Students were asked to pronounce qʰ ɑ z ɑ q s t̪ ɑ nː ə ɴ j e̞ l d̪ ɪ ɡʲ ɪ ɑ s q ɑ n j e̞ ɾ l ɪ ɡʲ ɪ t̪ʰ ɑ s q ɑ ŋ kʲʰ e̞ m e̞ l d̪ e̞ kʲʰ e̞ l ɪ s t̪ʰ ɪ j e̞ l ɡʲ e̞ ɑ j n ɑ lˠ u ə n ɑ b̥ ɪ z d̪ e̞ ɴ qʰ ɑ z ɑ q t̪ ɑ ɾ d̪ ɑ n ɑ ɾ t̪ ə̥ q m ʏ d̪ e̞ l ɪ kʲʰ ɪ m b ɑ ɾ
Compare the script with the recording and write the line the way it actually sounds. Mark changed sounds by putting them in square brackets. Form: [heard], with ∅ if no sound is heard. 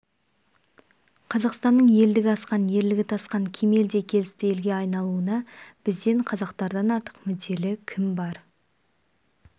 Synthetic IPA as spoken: qʰ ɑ z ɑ q s t̪ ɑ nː ə ɴ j e̞ l d̪ ɪ ɡʲ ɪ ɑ s q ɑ n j e̞ ɾ l ɪ ɡʲ ɪ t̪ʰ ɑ s q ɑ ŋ kʲʰ e̞ m e̞ l d̪ e̞ kʲʰ e̞ l ɪ s [t̪] ɪ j e̞ l ɡʲ e̞ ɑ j n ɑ lˠ u ə n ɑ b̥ ɪ z d̪ e̞ ɴ qʰ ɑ z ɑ q t̪ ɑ ɾ d̪ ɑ n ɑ ɾ t̪ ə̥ q m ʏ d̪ e̞ l ɪ kʲʰ ɪ m b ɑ ɾ

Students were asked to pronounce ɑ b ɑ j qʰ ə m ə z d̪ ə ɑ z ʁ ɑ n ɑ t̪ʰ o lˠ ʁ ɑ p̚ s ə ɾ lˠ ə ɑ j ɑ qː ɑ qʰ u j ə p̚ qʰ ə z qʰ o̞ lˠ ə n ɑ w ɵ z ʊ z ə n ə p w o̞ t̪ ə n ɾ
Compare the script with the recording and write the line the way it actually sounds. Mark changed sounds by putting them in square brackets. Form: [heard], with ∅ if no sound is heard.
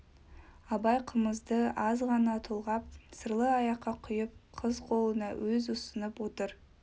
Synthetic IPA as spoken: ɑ b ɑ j qʰ ə m ə z d̪ ə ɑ z ʁ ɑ n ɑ t̪ʰ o lˠ ʁ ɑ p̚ s ə ɾ lˠ ə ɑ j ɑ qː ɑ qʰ [ʊ] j ə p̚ qʰ ə z qʰ o̞ lˠ ə n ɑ w ɵ z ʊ [s] ə n ə p w o̞ t̪ ə [∅] ɾ

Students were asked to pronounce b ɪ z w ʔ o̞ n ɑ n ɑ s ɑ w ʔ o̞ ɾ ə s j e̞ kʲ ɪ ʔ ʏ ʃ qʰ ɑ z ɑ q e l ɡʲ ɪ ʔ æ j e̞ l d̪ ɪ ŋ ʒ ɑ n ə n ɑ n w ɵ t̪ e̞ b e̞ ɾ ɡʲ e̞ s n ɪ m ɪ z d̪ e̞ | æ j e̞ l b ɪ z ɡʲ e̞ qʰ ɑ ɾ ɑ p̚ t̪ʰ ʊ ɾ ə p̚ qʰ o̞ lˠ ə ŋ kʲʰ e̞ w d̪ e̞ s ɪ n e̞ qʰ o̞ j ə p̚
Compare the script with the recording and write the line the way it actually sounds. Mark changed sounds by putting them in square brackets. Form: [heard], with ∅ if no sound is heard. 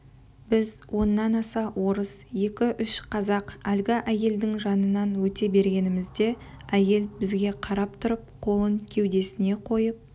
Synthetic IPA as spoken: b ɪ z w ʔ o̞ [nː] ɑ n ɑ s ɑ w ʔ o̞ ɾ ə s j e̞ kʲ ɪ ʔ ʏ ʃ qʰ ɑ z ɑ q [æ] l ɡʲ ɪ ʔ æ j e̞ l d̪ ɪ ŋ ʒ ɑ n ə n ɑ n w ɵ t̪ e̞ b e̞ ɾ ɡʲ e̞ [∅] n ɪ m ɪ z d̪ e̞ | æ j e̞ l b ɪ z ɡʲ e̞ qʰ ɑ ɾ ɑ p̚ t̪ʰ ʊ ɾ ə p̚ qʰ o̞ lˠ ə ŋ kʲʰ e̞ w d̪ e̞ s ɪ n e̞ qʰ o̞ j ə p̚

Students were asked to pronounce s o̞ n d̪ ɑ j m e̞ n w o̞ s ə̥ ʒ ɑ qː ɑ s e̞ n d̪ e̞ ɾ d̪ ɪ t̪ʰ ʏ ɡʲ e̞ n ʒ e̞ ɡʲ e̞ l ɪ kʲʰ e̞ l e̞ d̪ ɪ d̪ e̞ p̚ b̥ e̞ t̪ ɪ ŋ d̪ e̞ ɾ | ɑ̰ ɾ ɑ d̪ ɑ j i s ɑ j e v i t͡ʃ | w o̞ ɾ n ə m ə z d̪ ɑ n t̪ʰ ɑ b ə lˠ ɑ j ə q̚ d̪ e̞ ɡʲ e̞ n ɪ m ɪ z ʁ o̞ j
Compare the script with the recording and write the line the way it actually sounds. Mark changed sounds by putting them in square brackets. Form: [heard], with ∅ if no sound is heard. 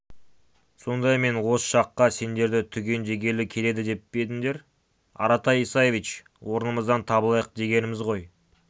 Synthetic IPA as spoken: s o̞ n d̪ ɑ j m e̞ n w o̞ s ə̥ [ʃ] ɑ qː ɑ s e̞ n d̪ e̞ ɾ d̪ ɪ t̪ʰ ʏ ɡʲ e̞ n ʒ e̞ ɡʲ e̞ l ɪ kʲʰ e̞ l e̞ d̪ ɪ d̪ e̞ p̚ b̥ e̞ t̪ ɪ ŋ d̪ e̞ ɾ | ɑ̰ ɾ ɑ [t̪] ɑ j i s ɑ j e v i t͡ʃ | w o̞ ɾ n ə m ə z d̪ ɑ n t̪ʰ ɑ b ə lˠ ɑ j ə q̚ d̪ e̞ ɡʲ e̞ n ɪ m ɪ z ʁ o̞ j

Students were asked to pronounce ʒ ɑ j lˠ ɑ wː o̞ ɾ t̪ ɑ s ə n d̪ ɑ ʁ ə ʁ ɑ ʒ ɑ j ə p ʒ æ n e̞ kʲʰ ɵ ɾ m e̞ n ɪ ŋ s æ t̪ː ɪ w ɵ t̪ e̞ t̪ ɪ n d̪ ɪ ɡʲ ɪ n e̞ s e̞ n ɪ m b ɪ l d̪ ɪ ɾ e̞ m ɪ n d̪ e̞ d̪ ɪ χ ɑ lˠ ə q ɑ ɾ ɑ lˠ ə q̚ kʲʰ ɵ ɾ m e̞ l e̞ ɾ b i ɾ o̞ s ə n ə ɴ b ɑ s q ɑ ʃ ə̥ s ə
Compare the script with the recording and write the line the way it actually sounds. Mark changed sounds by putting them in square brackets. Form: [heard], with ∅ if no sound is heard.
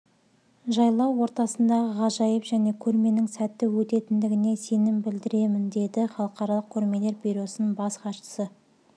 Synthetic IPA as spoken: ʒ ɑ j lˠ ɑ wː o̞ ɾ t̪ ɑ s ə n d̪ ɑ ʁ ə ʁ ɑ ʒ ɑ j ə p ʒ æ n e̞ kʲʰ ɵ ɾ m e̞ n ɪ ŋ s æ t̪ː ɪ w ɵ t̪ e̞ t̪ ɪ n d̪ ɪ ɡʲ ɪ n e̞ s e̞ n ɪ m b ɪ l d̪ ɪ ɾ e̞ m ɪ n d̪ e̞ d̪ ɪ χ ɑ lˠ ə q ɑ ɾ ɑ lˠ ə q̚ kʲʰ ɵ ɾ m e̞ l e̞ ɾ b i ɾ o̞ s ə n ə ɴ b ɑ s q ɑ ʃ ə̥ s ə

